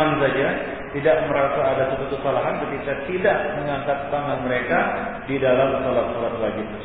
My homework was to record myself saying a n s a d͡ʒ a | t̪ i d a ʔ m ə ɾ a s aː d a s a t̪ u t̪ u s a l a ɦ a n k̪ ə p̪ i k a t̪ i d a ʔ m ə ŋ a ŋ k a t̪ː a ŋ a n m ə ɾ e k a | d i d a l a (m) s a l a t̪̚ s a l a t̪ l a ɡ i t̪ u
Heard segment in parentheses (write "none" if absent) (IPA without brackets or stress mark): m